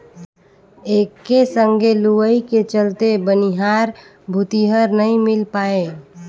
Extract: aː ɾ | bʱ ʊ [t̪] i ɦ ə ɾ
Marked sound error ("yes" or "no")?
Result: no